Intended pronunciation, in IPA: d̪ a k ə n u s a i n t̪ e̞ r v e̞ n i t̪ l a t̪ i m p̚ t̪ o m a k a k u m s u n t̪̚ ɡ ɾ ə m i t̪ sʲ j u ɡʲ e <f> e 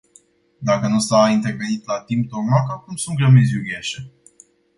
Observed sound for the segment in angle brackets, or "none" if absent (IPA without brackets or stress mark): ʃ